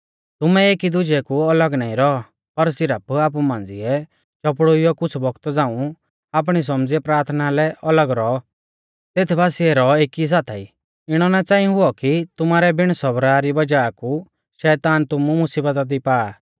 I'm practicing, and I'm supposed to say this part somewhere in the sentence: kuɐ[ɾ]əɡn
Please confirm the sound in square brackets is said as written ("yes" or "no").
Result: no